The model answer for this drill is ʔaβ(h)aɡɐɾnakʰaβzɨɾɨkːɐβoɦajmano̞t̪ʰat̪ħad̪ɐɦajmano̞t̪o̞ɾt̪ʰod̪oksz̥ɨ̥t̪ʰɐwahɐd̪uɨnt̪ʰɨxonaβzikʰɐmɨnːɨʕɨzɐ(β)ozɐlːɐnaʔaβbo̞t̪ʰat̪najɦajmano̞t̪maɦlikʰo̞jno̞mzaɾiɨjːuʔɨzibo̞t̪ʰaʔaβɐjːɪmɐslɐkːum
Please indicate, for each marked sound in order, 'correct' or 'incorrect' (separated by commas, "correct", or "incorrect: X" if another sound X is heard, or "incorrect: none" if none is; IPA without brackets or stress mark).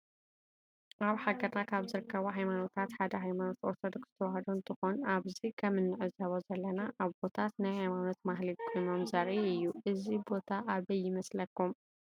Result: incorrect: ħ, correct